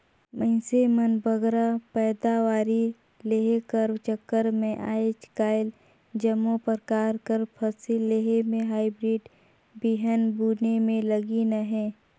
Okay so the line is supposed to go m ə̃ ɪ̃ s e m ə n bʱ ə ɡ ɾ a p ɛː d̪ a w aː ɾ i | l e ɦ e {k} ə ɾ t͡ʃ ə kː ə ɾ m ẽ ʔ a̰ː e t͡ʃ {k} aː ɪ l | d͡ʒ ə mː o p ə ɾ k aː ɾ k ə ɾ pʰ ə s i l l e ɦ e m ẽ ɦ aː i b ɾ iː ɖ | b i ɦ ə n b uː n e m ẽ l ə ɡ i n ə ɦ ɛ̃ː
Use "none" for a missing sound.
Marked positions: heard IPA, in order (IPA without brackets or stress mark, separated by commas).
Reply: k, k